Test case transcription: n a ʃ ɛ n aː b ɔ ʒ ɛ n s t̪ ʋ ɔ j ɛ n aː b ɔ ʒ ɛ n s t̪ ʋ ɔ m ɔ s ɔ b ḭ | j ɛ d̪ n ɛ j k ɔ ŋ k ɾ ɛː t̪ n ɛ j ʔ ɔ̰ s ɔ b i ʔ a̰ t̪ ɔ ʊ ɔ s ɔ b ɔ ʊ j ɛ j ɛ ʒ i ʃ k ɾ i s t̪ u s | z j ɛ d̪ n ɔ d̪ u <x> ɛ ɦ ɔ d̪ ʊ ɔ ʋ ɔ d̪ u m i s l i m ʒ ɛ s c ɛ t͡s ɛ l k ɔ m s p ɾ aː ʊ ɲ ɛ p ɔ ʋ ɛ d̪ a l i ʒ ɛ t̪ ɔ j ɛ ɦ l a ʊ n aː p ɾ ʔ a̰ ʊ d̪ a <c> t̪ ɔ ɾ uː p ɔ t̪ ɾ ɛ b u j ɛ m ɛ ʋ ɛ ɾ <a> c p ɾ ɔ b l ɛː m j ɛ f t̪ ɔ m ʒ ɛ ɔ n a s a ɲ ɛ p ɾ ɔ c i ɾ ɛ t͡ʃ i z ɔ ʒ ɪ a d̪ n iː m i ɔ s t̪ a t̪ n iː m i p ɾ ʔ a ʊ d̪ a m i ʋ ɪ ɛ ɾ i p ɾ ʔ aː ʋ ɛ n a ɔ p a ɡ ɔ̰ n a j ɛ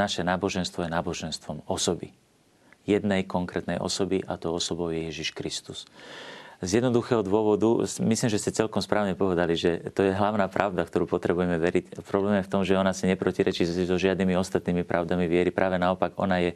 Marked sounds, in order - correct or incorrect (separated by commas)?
correct, incorrect, incorrect